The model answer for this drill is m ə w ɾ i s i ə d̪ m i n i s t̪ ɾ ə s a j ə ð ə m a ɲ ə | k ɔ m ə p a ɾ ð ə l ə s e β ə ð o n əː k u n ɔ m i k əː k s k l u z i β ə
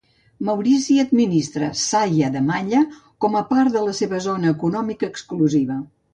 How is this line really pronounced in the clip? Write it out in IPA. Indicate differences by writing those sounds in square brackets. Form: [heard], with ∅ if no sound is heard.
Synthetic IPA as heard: m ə w ɾ i s i ə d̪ m i n i s t̪ ɾ ə s a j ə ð ə m a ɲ ə | k ɔ m ə p a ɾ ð ə l ə s e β ə [z] o n əː k u n ɔ m i k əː k s k l u z i β ə